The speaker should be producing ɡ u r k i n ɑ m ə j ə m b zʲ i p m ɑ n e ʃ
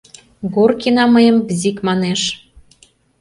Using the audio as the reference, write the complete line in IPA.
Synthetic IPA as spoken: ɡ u r k i n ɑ m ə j ə m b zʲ i k m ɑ n e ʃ